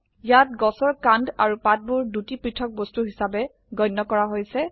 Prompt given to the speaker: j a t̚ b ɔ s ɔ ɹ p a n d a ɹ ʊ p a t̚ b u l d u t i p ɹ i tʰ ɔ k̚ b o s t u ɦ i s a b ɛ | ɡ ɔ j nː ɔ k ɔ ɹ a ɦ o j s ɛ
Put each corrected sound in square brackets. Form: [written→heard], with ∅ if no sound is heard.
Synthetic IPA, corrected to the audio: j a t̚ [b→ɡ] ɔ s ɔ ɹ [p→k] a n d a ɹ [ʊ→u] p a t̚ b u [l→ɹ] d u t i p ɹ i tʰ ɔ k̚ b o s t u ɦ i s a b ɛ | ɡ ɔ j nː ɔ k ɔ ɹ a ɦ o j s ɛ